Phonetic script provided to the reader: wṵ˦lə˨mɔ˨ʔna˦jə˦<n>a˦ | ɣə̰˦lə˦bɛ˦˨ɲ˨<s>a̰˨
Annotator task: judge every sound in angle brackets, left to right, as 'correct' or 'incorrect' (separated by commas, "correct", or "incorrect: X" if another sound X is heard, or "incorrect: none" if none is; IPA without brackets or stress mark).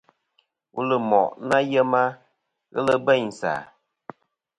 incorrect: m, correct